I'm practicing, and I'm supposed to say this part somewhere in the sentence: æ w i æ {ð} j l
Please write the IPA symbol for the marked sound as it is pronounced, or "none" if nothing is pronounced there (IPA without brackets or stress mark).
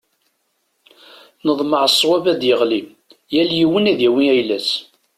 none